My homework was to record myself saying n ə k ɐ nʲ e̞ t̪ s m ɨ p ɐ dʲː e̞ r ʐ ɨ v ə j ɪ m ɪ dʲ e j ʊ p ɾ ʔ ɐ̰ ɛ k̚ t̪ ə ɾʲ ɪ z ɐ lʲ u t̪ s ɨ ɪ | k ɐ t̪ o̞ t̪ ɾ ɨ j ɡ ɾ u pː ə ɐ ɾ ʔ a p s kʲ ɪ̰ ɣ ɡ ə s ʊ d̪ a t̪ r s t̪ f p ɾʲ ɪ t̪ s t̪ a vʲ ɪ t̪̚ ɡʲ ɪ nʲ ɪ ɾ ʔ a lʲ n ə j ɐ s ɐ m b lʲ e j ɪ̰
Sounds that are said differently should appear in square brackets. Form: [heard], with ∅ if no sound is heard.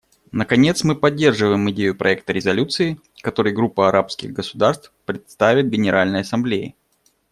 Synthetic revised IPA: n ə k ɐ nʲ e̞ t̪ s m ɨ p ɐ dʲː e̞ r ʐ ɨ v ə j ɪ m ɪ dʲ e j ʊ p ɾ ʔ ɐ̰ ɛ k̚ t̪ ə ɾʲ ɪ z ɐ lʲ u t̪ s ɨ ɪ | k ɐ t̪ o̞ [∅] ɾ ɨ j ɡ ɾ u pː ə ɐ ɾ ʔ a p s kʲ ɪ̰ ɣ ɡ ə s ʊ d̪ a [∅] r s t̪ f p ɾʲ ɪ t̪ s t̪ a vʲ ɪ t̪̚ ɡʲ ɪ nʲ ɪ ɾ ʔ a lʲ n ə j ɐ s ɐ m b lʲ e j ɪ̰

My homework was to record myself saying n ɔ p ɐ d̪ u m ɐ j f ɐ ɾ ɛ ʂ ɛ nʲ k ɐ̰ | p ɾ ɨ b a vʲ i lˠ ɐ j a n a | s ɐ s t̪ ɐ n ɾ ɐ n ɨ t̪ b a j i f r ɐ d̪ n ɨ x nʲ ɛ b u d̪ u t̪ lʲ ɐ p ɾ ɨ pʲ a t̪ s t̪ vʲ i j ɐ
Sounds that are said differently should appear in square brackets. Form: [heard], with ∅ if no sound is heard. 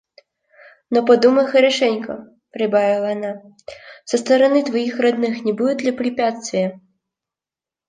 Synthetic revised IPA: n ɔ p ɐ d̪ u m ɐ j [x] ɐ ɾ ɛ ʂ ɛ nʲ k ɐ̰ | p ɾ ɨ b a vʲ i lˠ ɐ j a n a | s ɐ s t̪ ɐ [∅] ɾ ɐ n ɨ t̪ [v] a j i [x] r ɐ d̪ n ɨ x nʲ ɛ b u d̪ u [d̪] lʲ ɐ p ɾ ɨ pʲ a t̪ s t̪ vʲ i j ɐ

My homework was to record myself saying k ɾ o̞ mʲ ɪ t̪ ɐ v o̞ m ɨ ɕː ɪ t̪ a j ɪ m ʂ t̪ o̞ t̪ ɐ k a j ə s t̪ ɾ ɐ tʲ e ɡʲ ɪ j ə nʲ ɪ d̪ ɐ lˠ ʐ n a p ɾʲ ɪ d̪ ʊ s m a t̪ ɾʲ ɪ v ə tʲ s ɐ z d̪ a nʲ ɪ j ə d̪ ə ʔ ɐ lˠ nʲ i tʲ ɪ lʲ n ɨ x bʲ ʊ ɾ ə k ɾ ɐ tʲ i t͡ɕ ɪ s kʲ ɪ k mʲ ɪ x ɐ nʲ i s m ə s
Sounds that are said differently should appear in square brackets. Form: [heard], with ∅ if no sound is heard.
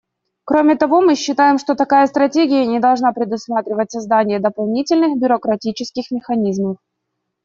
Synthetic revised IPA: k ɾ o̞ mʲ ɪ t̪ ɐ v o̞ m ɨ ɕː ɪ t̪ a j ɪ m ʂ t̪ o̞ t̪ ɐ k a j ə s t̪ ɾ ɐ tʲ e ɡʲ ɪ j ə nʲ ɪ d̪ ɐ lˠ ʐ n a p ɾʲ ɪ d̪ ʊ s m a t̪ ɾʲ ɪ v ə tʲ s ɐ z d̪ a nʲ ɪ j ə d̪ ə [p] ɐ lˠ nʲ i tʲ ɪ lʲ n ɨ x bʲ ʊ ɾ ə k ɾ ɐ tʲ i t͡ɕ ɪ s kʲ ɪ [x] mʲ ɪ x ɐ nʲ i [z] m ə [f]

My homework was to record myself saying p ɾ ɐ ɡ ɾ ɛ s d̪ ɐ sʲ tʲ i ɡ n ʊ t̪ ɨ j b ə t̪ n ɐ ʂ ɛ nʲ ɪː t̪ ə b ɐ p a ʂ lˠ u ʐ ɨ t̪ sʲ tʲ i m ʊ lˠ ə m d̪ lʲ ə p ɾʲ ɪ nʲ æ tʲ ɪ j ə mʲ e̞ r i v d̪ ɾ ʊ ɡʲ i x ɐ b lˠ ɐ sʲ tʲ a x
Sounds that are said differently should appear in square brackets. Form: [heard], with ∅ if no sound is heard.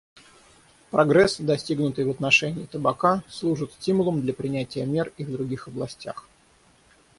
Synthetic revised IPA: p ɾ ɐ ɡ ɾ ɛ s d̪ ɐ sʲ tʲ i ɡ n ʊ t̪ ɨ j [v] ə t̪ n ɐ ʂ ɛ nʲ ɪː t̪ ə b ɐ [k] a [s] lˠ u ʐ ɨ t̪ sʲ tʲ i m ʊ lˠ ə m d̪ lʲ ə p ɾʲ ɪ nʲ æ tʲ ɪ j ə mʲ e̞ r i v d̪ ɾ ʊ ɡʲ i x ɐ b lˠ ɐ sʲ tʲ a x

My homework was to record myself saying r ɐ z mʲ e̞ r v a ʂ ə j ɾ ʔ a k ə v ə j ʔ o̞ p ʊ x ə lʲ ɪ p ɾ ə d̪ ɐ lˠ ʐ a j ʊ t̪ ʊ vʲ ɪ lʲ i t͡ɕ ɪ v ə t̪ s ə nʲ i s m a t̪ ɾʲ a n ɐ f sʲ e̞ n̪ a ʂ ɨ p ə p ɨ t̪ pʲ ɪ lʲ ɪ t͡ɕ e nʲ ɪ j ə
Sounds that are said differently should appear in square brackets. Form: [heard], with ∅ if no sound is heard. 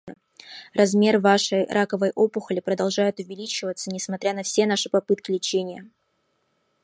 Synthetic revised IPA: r ɐ z mʲ e̞ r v a ʂ ə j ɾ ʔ a k ə v ə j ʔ o̞ p ʊ x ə lʲ ɪ p ɾ ə d̪ ɐ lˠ ʐ a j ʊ t̪ ʊ vʲ ɪ lʲ i t͡ɕ ɪ v ə t̪ s ə nʲ [ɪ] s m [ɐ] t̪ ɾʲ a n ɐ f sʲ e̞ n̪ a ʂ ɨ p [ɐ] p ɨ t̪ [kʲ] ɪ lʲ ɪ t͡ɕ e nʲ ɪ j ə

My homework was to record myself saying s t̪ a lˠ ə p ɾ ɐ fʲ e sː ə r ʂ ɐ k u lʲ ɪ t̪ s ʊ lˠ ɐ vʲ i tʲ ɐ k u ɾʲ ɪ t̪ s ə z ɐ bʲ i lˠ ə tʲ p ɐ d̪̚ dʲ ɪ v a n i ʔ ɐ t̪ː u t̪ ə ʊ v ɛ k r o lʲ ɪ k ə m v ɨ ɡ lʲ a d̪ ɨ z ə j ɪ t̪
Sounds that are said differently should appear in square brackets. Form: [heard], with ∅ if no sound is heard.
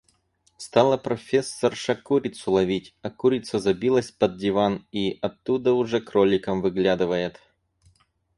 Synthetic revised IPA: s t̪ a lˠ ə p ɾ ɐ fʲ e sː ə r ʂ ɐ k u [ɾʲ] ɪ t̪ s ʊ lˠ ɐ vʲ i tʲ ɐ k u ɾʲ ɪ t̪ s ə z ɐ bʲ i lˠ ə [sʲ] p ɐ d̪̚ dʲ ɪ v a n i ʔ ɐ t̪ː u [d̪] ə ʊ [ʐ] ɛ k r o lʲ ɪ k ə m v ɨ ɡ lʲ a d̪ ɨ [v] ə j ɪ t̪

